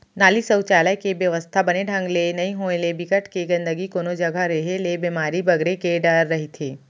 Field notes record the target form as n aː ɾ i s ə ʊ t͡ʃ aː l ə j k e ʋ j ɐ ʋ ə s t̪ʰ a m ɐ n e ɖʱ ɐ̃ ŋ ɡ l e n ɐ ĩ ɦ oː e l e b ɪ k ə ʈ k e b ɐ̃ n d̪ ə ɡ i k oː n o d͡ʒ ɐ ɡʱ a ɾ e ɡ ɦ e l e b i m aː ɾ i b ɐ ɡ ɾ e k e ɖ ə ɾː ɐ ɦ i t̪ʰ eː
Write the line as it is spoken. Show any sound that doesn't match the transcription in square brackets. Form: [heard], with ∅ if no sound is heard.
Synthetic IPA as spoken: n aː [l] i s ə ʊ t͡ʃ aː l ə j k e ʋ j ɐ ʋ ə s t̪ʰ a [b] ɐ n e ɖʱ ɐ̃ ŋ ɡ l e n ɐ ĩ ɦ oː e l e b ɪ k ə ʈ k e [ɡ] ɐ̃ n d̪ ə ɡ i k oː n o d͡ʒ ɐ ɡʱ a ɾ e [∅] ɦ e l e b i m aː ɾ i b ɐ ɡ ɾ e k e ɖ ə ɾː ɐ ɦ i t̪ʰ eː